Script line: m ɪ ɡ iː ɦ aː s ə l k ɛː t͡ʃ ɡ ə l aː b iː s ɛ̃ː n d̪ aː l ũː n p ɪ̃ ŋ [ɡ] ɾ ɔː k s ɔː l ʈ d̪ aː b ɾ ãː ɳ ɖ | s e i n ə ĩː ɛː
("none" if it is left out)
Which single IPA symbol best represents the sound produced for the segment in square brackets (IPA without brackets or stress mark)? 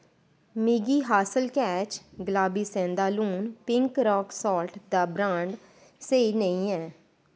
k